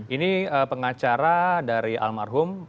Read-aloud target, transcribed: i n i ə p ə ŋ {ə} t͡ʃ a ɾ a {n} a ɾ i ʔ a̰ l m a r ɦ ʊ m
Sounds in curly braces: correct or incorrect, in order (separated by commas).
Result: incorrect, incorrect